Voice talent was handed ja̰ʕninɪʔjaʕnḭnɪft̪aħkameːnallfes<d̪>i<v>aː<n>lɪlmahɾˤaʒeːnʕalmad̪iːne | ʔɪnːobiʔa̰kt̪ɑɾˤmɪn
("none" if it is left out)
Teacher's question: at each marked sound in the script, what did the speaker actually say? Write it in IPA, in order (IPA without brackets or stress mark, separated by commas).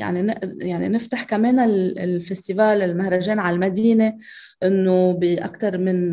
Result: t̪, v, none